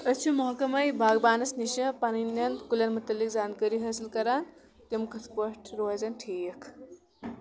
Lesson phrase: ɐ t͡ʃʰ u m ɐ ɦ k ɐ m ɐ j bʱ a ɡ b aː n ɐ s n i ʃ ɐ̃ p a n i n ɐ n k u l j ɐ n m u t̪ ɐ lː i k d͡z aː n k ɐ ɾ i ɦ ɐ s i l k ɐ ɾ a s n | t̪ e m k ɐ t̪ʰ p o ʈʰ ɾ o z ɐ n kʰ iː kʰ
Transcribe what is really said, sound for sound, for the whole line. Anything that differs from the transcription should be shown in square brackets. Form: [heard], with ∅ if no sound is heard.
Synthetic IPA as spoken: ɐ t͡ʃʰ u m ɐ ɦ k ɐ m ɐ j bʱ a ɡ b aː n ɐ s n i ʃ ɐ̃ p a n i n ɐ n k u l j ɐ n m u t̪ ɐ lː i k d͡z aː n k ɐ ɾ i ɦ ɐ s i l k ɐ ɾ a [∅] n | t̪ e m k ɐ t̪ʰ p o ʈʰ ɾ o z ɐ n [ʈʰ] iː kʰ